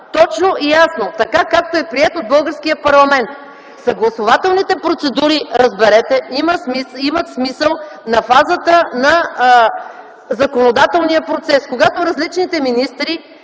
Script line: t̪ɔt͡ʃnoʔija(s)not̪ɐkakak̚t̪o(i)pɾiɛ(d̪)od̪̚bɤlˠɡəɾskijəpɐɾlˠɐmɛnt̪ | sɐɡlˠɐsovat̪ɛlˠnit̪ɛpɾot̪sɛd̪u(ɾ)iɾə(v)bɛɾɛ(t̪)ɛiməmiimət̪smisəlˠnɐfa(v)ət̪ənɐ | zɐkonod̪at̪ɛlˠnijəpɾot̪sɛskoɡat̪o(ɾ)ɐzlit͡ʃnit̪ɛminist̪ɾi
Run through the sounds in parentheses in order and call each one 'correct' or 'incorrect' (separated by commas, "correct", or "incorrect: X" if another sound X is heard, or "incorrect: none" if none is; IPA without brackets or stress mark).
correct, incorrect: ɛ, incorrect: t̪, correct, incorrect: z, correct, incorrect: z, correct